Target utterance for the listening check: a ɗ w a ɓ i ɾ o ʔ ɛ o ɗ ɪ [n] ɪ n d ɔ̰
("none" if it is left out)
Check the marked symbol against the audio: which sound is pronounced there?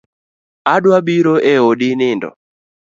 n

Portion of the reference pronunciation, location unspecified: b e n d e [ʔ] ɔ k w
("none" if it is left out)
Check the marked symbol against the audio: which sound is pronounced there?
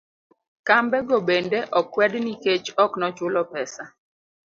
ʔ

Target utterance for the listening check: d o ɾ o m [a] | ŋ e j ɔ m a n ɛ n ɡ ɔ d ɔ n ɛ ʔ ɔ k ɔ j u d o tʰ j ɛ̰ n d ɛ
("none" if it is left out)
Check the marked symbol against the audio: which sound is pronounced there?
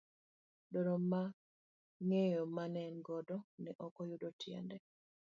a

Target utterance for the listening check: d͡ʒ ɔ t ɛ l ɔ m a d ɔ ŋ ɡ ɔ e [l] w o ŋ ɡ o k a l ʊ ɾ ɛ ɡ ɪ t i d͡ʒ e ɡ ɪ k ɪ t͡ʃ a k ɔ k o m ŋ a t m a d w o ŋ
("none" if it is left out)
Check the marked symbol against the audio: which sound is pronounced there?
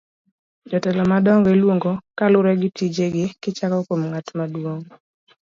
l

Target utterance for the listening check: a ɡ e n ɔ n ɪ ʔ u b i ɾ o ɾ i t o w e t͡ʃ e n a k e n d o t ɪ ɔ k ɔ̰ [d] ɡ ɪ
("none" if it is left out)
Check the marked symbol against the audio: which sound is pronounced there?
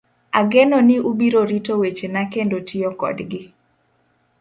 d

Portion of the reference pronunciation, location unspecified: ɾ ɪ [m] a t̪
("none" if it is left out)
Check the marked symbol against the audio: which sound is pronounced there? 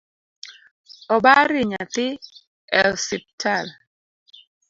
ɲ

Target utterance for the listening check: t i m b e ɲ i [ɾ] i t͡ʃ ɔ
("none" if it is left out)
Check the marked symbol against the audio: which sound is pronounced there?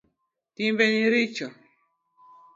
ɾ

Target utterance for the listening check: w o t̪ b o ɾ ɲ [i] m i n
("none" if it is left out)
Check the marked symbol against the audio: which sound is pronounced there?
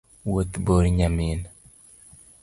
a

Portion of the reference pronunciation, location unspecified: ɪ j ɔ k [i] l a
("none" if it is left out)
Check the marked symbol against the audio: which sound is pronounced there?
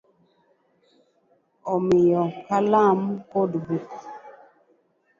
a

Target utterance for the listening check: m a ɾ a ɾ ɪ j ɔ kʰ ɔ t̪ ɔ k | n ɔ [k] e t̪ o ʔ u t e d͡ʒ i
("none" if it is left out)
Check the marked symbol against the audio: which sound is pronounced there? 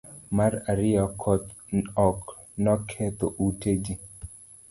kʰ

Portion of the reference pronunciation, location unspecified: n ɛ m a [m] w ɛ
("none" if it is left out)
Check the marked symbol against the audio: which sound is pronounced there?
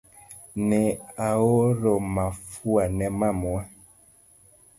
m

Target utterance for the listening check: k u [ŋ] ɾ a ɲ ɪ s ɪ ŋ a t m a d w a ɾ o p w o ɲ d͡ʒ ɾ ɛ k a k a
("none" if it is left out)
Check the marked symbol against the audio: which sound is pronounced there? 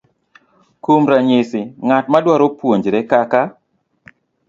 m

